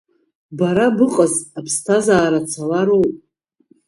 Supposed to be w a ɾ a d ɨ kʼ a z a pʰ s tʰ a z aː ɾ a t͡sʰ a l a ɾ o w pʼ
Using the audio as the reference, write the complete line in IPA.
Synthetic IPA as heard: b a ɾ a b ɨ qʼ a z a pʰ s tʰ a z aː ɾ a t͡sʰ a l a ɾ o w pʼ